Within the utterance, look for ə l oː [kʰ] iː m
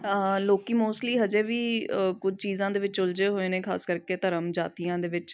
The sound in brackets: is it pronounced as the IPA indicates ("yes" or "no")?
no